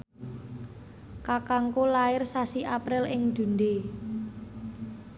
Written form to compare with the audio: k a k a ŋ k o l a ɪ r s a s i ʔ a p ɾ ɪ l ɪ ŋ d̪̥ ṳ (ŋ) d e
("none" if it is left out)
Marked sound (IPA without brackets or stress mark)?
n